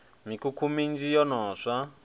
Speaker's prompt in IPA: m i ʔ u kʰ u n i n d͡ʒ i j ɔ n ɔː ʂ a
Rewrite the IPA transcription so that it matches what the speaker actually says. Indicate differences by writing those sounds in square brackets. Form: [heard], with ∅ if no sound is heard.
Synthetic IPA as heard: m i [k] u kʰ u [m] i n d͡ʒ i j ɔ n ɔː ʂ a